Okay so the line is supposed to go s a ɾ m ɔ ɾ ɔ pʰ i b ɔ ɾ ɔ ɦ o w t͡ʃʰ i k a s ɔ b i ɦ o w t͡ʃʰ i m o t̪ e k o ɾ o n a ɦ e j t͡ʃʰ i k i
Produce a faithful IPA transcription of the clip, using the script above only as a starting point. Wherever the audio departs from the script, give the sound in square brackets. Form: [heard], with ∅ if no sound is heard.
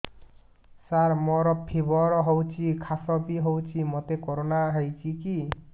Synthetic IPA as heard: s a ɾ m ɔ ɾ ɔ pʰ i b ɔ ɾ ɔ ɦ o w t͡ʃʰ i [kʰ] a s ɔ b i ɦ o w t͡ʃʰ i m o t̪ e k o ɾ o n a ɦ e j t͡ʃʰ i k i